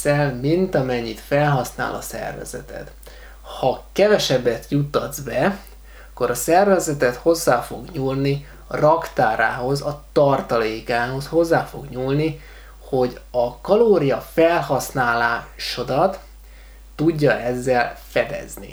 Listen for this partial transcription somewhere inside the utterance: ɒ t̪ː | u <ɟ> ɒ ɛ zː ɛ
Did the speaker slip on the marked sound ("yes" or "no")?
yes